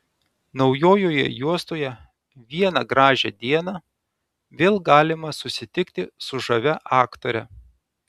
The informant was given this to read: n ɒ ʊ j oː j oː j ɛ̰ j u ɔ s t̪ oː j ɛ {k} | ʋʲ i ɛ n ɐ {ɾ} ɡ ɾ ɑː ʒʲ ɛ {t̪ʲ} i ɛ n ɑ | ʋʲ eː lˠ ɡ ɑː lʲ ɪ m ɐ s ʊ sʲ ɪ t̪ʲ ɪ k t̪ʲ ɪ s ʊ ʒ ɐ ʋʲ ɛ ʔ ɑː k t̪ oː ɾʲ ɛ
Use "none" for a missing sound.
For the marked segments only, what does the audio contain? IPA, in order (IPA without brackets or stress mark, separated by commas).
none, none, d̪ʲ